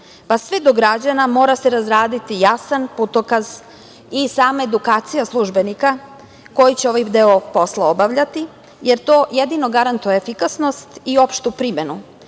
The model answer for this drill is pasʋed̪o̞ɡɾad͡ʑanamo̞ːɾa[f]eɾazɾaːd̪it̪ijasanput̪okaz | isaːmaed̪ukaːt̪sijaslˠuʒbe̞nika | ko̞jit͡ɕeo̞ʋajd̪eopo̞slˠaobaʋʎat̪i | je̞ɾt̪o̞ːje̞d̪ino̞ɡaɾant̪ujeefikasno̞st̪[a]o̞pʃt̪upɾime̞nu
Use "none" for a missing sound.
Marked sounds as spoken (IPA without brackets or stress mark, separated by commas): s, i